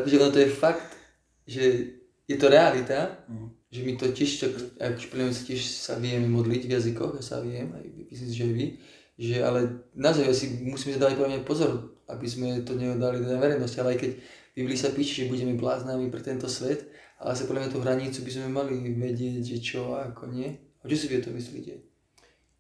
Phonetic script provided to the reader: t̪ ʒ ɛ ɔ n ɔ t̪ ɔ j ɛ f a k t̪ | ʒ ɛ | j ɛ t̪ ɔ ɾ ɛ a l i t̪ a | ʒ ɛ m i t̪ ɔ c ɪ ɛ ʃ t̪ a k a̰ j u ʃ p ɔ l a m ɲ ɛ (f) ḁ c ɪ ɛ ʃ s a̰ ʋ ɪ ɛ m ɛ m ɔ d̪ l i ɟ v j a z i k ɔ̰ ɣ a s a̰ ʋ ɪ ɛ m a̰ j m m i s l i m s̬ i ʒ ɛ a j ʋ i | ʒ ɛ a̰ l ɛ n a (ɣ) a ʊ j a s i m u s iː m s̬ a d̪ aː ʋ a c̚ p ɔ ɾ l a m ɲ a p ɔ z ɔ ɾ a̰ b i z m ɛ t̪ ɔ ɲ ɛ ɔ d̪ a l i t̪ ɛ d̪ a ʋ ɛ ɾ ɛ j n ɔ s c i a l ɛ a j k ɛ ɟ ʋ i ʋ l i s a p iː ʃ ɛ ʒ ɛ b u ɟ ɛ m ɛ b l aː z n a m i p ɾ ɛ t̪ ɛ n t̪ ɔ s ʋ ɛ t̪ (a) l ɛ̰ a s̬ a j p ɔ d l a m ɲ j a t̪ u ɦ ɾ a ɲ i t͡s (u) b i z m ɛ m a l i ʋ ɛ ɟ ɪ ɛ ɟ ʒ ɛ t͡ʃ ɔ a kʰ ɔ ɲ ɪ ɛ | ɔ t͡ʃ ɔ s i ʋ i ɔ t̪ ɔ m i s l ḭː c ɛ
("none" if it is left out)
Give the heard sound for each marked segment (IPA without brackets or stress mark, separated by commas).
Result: s, z, a, u